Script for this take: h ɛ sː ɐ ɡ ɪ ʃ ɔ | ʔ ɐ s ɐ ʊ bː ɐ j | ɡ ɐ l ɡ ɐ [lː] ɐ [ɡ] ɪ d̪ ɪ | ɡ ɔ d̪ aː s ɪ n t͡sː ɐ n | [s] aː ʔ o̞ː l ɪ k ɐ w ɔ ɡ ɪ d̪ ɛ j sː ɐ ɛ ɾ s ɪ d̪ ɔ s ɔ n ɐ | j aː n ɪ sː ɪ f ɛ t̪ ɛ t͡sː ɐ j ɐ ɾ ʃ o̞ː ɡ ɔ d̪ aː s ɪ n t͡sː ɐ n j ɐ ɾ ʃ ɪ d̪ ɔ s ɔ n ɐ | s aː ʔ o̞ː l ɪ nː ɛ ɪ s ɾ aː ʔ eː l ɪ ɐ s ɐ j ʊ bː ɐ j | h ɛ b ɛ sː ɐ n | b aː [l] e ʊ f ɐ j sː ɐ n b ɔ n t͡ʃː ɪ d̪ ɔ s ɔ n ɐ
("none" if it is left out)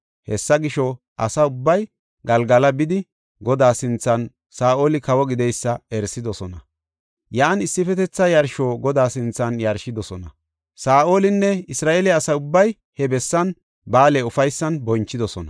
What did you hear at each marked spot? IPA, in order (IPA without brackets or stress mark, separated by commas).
l, b, s, l